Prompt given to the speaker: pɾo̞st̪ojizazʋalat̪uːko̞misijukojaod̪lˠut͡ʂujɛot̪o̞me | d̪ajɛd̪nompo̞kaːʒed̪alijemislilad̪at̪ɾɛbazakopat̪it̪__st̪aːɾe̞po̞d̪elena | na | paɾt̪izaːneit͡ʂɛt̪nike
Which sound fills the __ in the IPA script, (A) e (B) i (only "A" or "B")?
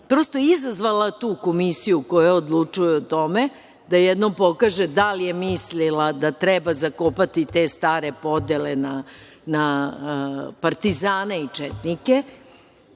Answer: A